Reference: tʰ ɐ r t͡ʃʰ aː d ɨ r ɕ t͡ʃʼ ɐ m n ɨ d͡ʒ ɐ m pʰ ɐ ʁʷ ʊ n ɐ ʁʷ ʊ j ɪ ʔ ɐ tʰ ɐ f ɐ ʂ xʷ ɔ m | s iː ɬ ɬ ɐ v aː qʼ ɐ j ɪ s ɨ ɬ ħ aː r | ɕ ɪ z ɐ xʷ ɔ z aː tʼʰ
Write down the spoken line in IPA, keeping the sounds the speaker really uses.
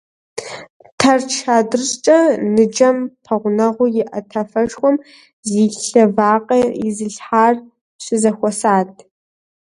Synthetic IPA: tʰ ɐ r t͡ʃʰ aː d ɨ r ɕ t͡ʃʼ ɐ n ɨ d͡ʒ ɐ m pʰ ɐ ʁʷ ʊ n ɐ ʁʷ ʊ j ɪ ʔ ɐ tʰ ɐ f ɐ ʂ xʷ ɔ m | z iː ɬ ɬ ɐ v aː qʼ ɐ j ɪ z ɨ ɬ ħ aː r | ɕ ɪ z ɐ xʷ ɔ s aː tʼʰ